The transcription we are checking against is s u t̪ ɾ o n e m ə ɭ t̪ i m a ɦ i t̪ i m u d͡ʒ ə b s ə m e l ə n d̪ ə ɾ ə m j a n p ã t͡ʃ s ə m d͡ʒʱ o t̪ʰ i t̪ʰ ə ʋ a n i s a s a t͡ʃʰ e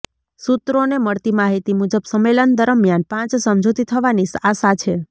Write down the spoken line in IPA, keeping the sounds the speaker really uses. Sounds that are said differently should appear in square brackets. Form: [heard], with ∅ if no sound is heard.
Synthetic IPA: s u t̪ ɾ o n e m ə ɭ t̪ i m a ɦ i t̪ i m u d͡ʒ ə b s ə m e l ə n d̪ ə ɾ ə m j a n p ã t͡ʃ s ə m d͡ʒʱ o [t̪] i t̪ʰ ə ʋ a n i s a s a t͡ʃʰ e